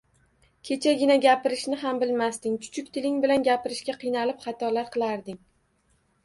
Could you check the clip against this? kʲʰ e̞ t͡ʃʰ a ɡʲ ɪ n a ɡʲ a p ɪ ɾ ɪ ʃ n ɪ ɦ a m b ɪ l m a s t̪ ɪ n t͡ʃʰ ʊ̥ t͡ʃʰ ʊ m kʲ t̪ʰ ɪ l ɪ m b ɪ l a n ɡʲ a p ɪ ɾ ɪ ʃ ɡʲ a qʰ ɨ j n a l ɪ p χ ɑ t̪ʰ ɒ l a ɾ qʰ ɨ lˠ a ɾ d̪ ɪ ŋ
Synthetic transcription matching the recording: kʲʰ e̞ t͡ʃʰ a ɡʲ ɪ n a ɡʲ a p ɪ ɾ ɪ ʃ n ɪ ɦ a m b ɪ l m a s t̪ ɪ ŋ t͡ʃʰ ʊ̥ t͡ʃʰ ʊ kʲ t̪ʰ ɪ l ɪ ŋ b ɪ l a n ɡʲ a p ɪ ɾ ɪ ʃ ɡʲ a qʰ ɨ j n a l ɪ p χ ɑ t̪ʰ ɒ l a ɾ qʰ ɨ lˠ a ɾ d̪ ɪ ŋ